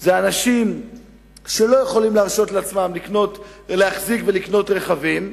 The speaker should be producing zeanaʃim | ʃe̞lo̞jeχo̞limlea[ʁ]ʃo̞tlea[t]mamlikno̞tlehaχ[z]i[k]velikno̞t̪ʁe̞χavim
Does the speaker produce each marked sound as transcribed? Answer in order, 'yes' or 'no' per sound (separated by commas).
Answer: yes, no, yes, yes